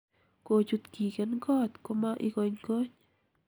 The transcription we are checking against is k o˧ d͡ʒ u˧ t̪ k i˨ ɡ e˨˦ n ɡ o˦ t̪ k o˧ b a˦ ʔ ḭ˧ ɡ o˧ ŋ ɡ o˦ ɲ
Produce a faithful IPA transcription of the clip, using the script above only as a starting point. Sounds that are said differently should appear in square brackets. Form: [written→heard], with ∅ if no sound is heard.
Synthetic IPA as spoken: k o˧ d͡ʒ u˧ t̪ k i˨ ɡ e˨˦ n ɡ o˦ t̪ k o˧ [b→m] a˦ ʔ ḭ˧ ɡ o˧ [ŋ→ɲ] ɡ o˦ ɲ